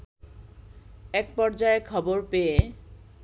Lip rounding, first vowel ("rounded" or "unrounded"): unrounded